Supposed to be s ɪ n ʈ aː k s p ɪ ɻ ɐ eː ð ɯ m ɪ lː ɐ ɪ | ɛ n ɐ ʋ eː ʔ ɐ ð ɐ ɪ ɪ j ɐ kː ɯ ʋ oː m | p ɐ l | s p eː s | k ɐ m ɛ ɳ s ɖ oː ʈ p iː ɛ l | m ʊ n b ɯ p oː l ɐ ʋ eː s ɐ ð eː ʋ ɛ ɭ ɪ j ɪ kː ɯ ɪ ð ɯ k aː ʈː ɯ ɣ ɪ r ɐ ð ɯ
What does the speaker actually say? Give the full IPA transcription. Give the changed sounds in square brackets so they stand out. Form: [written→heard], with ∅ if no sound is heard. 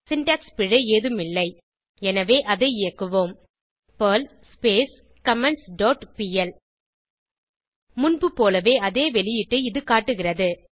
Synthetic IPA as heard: s ɪ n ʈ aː k s p ɪ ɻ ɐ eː ð ɯ m ɪ lː ɐ ɪ | ɛ n ɐ ʋ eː ʔ ɐ ð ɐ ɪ ɪ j ɐ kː ɯ ʋ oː m | p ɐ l | s p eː s | k ɐ m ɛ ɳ s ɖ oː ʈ p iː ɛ l | m ʊ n b ɯ p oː l ɐ ʋ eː [s→∅] ɐ ð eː ʋ ɛ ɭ ɪ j ɪ [kː→ʈː] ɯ ɪ ð ɯ k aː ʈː ɯ ɣ ɪ r ɐ ð ɯ

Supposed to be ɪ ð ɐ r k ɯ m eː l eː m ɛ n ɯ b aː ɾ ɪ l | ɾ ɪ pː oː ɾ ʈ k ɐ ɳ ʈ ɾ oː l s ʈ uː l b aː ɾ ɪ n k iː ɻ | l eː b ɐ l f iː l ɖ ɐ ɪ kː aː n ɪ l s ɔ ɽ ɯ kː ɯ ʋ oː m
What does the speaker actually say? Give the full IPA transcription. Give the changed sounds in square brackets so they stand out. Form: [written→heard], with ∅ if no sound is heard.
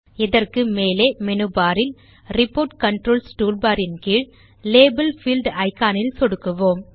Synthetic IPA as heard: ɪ ð ɐ r k ɯ m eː l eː m ɛ n ɯ b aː ɾ ɪ l | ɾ ɪ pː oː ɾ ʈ k ɐ ɳ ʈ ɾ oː l s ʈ uː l b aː ɾ ɪ n k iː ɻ | l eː b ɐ l f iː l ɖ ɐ ɪ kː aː n ɪ l s ɔ ɽ ɯ kː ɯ ʋ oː m

